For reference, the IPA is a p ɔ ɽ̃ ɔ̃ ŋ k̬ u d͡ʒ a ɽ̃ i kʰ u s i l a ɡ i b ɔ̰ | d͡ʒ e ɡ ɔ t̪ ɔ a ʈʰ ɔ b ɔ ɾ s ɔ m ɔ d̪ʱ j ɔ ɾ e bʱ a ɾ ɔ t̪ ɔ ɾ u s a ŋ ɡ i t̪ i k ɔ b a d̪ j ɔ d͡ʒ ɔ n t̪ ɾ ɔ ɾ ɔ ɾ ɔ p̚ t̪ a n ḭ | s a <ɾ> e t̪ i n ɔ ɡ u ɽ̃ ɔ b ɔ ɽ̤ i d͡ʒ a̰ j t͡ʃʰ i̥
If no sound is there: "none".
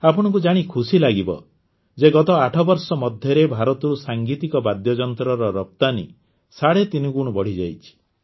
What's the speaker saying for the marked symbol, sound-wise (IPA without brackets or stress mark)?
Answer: ɽ